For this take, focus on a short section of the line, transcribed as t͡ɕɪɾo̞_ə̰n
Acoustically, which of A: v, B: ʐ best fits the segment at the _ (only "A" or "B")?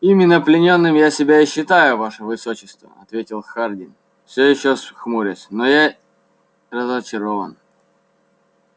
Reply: A